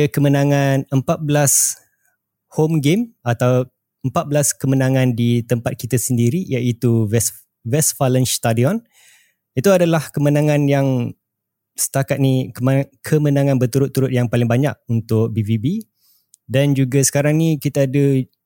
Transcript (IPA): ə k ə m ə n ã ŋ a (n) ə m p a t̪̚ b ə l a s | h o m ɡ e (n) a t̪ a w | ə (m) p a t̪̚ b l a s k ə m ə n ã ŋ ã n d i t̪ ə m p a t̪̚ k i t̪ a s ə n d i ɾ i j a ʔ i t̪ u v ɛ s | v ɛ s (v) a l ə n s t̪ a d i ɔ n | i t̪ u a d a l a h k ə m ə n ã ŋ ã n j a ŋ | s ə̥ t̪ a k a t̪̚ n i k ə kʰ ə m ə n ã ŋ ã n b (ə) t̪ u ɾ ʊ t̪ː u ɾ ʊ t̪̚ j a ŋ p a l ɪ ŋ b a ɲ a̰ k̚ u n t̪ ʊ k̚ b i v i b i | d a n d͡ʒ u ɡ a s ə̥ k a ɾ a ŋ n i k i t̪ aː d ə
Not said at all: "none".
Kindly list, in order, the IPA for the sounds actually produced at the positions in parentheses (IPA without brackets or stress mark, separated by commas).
n, m, m, f, ə